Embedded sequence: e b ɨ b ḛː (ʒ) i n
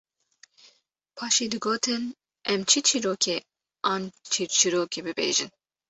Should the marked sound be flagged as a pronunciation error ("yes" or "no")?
no